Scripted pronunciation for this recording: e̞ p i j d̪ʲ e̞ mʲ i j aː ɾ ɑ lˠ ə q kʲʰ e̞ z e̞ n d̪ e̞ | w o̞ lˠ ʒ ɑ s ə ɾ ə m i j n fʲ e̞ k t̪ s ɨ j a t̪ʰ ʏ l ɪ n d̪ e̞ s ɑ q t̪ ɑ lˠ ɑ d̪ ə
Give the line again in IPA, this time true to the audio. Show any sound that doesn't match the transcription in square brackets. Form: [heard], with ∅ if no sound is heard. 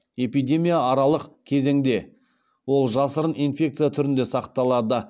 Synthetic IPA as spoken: e̞ p i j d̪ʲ e̞ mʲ i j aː ɾ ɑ lˠ ə q kʲʰ e̞ z e̞ [ŋ] d̪ e̞ | w o̞ lˠ ʒ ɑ s ə ɾ ə [n] i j n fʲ e̞ k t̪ s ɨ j a t̪ʰ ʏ [ɾ] ɪ n d̪ e̞ s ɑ q t̪ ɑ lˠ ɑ d̪ ə

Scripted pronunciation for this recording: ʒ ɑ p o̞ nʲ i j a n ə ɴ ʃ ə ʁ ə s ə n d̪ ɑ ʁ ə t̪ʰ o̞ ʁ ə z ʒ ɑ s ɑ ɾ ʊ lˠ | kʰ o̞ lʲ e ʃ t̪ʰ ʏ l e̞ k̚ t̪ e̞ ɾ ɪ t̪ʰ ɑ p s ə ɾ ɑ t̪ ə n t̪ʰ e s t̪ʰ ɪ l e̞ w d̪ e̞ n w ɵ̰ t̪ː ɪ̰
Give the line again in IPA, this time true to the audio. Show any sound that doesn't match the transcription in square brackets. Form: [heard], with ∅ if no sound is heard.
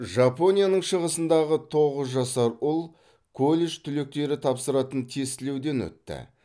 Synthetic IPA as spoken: ʒ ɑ p o̞ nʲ i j a n ə ɴ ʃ ə ʁ ə s ə n d̪ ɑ ʁ ə t̪ʰ o̞ ʁ ə z ʒ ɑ s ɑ ɾ ʊ lˠ | kʰ o̞ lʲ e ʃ t̪ʰ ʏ l e̞ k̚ t̪ e̞ ɾ ɪ t̪ʰ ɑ p s ə ɾ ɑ t̪ ə n t̪ʰ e s [t̪] ɪ l e̞ w d̪ e̞ n w ɵ̰ t̪ː ɪ̰

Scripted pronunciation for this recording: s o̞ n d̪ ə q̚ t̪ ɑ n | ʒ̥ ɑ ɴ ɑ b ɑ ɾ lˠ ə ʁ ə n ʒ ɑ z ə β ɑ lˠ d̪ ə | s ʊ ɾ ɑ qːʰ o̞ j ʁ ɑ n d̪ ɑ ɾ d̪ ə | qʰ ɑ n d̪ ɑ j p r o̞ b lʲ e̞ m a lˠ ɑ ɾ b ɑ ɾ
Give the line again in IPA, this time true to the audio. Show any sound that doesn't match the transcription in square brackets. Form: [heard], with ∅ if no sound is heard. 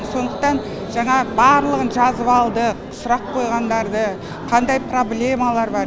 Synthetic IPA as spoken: s o̞ n d̪ ə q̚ t̪ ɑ n | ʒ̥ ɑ ɴ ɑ b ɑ ɾ lˠ ə ʁ ə n ʒ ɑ z ə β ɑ lˠ d̪ ə | s ʊ ɾ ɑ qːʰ o̞ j ʁ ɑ n d̪ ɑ ɾ d̪ ə | qʰ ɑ n d̪ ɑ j p r o̞ b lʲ e̞ m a lˠ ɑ ɾ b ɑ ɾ

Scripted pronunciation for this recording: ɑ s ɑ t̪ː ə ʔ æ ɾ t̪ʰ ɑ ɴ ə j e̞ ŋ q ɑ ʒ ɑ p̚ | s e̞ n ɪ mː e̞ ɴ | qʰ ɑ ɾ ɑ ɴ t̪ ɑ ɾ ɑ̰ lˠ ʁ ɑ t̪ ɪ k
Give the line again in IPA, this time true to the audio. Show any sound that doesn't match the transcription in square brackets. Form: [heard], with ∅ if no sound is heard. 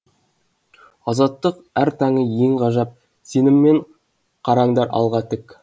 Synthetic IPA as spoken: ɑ [z] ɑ t̪ː ə [q] æ ɾ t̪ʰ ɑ ɴ ə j e̞ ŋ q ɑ ʒ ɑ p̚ | s e̞ n ɪ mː e̞ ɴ | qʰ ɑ ɾ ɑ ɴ [d̪] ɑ ɾ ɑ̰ lˠ ʁ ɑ t̪ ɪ k

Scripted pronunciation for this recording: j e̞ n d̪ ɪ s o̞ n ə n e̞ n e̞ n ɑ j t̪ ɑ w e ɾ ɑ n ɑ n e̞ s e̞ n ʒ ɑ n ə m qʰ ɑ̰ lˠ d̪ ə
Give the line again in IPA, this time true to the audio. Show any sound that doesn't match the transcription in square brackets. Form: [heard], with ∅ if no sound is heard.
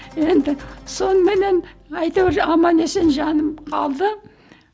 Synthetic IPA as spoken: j e̞ n d̪ ɪ s o̞ n ə [m] e̞ n e̞ n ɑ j t̪ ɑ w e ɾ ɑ [m] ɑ n e̞ s e̞ n ʒ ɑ n ə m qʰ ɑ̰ lˠ d̪ ə

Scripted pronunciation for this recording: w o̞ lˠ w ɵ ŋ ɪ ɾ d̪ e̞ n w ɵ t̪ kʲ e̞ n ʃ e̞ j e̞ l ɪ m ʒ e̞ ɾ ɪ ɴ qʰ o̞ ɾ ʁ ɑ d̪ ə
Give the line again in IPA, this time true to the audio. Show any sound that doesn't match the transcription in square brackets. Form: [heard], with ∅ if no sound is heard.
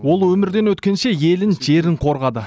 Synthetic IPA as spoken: w o̞ lˠ w ɵ [m] ɪ ɾ d̪ e̞ n w ɵ t̪ kʲ e̞ n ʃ e̞ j e̞ l ɪ [n] ʒ e̞ ɾ ɪ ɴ qʰ o̞ ɾ ʁ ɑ d̪ ə

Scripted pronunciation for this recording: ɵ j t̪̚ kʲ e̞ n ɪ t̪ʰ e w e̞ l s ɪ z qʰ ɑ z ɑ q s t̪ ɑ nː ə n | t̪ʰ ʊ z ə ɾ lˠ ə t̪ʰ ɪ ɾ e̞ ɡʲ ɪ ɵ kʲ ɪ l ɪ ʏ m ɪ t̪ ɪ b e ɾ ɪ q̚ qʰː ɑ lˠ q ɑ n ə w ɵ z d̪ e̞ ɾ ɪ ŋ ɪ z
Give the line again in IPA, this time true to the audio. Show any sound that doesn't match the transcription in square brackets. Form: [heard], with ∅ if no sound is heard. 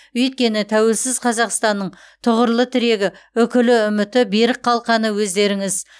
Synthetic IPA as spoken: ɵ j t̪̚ kʲ e̞ n ɪ t̪ʰ [æ] w e̞ l s ɪ z qʰ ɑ z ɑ q s t̪ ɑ nː ə [ɴ] | t̪ʰ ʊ [ʁ] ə ɾ lˠ ə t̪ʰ ɪ ɾ e̞ ɡʲ ɪ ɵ kʲ ɪ l ɪ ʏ m ɪ t̪ ɪ b e ɾ ɪ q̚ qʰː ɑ lˠ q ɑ n ə w ɵ z d̪ e̞ ɾ ɪ ŋ ɪ z

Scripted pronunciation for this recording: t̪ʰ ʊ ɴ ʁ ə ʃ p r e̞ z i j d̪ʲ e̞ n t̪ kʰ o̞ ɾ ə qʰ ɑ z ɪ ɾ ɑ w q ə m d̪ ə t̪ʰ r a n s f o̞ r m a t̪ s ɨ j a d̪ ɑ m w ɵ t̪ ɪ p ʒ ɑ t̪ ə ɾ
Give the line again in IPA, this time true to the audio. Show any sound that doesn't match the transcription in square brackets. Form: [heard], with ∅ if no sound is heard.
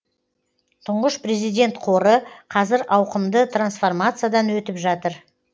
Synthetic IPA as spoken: t̪ʰ ʊ ɴ ʁ ə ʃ p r e̞ z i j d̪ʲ e̞ n t̪ [qʰ] o̞ ɾ ə qʰ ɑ z ɪ ɾ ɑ w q ə m d̪ ə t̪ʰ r a n s f o̞ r m a t̪ s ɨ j a d̪ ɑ [n] w ɵ t̪ ɪ p ʒ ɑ t̪ ə ɾ

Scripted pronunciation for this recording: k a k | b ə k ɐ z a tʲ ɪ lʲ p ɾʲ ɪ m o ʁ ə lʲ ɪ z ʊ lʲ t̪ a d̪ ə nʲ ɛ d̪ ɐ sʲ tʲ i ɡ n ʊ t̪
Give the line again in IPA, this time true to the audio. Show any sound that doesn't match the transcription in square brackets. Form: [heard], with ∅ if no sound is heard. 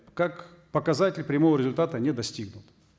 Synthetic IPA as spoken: k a k | [p] ə k ɐ z a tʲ ɪ lʲ p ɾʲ ɪ m o [v] ə [ɾʲ] ɪ z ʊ lʲ t̪ a [t̪] ə nʲ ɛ d̪ ɐ sʲ tʲ i ɡ n ʊ t̪

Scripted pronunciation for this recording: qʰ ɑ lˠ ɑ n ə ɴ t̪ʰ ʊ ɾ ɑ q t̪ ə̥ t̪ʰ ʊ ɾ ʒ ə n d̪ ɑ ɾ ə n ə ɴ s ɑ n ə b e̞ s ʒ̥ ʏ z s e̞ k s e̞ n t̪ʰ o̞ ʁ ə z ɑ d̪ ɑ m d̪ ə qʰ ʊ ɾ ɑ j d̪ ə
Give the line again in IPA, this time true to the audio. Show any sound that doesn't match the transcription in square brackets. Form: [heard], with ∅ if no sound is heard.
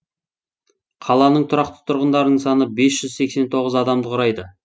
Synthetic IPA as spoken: qʰ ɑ lˠ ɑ n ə ɴ t̪ʰ ʊ ɾ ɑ q t̪ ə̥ t̪ʰ ʊ ɾ [ʁ] ə n d̪ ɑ ɾ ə n ə ɴ s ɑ n ə b e̞ s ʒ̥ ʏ z s e̞ k s e̞ n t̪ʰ o̞ ʁ ə z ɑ d̪ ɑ m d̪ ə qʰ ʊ ɾ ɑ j d̪ ə

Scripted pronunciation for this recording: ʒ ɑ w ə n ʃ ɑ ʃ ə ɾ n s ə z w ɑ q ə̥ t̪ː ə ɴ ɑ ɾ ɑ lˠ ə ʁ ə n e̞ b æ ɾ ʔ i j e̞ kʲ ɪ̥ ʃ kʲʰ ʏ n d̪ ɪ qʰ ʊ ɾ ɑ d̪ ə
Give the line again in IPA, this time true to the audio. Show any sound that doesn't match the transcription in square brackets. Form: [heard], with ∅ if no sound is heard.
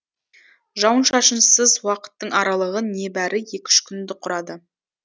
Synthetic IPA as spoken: ʒ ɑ w ə n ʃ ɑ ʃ ə [∅] n s ə z w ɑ q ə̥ t̪ː ə ɴ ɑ ɾ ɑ lˠ ə ʁ ə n e̞ b æ ɾ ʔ [ɪ] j e̞ kʲ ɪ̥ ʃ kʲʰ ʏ n d̪ ɪ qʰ ʊ ɾ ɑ d̪ ə

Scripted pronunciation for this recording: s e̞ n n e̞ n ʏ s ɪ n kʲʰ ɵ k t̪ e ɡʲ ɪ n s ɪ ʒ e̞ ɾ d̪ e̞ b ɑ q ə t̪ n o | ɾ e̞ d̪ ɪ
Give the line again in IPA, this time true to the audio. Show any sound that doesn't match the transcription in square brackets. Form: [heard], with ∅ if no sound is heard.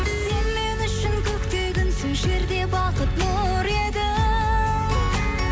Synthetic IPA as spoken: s e̞ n [m] e̞ n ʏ [ʃ] ɪ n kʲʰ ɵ k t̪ e ɡʲ ɪ n s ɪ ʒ e̞ ɾ d̪ e̞ b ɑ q ə t̪ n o | ɾ e̞ d̪ ɪ

